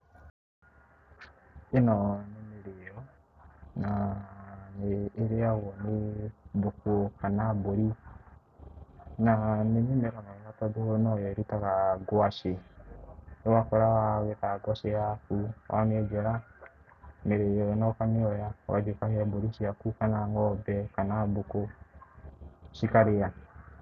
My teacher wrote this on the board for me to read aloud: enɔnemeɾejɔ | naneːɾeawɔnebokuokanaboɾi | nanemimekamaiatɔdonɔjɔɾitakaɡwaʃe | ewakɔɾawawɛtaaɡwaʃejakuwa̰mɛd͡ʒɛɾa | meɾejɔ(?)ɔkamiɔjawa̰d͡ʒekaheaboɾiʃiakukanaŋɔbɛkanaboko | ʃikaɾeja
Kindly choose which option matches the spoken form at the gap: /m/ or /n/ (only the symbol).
n